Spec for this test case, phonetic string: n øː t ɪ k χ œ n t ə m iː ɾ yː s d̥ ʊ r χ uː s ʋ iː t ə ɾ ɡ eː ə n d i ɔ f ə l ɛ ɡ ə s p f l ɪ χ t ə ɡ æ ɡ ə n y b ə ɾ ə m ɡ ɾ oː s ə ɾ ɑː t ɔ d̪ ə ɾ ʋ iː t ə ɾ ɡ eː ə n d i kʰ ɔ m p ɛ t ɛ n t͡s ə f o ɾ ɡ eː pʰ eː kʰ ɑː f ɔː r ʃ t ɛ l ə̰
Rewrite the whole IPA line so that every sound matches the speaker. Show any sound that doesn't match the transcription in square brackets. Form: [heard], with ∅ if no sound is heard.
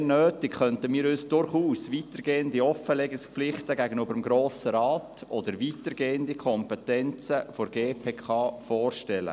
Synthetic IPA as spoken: n øː t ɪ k χ œ n t ə m iː ɾ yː s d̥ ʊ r χ uː s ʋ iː t ə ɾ ɡ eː ə n d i ɔ f ə l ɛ ɡ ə s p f l ɪ χ t ə ɡ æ ɡ ə n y b ə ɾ ə m ɡ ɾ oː s ə ɾ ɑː t ɔ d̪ ə ɾ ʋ iː t ə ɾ ɡ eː ə n d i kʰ ɔ m p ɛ t ɛ n t͡s ə f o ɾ ɡ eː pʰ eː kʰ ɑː f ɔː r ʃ t ɛ l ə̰